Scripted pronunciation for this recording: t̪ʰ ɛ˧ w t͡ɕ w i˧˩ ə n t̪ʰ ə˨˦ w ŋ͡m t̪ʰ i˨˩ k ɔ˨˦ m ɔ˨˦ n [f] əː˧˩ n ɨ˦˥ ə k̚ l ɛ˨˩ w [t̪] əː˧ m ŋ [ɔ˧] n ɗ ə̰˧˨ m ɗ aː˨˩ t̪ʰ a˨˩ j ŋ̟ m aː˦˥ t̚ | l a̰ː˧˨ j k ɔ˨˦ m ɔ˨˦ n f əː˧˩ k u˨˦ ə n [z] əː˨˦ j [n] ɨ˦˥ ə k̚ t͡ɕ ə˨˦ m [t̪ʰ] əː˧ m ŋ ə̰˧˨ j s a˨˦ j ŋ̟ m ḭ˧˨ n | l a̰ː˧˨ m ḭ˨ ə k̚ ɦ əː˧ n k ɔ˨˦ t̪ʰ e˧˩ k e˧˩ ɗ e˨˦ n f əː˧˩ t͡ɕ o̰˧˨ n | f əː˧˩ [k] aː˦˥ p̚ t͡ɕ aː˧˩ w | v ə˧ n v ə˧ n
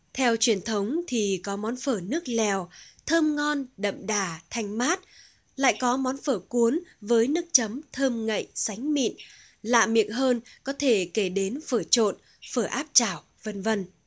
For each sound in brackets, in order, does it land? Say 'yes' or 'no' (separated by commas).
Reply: yes, no, yes, no, yes, yes, no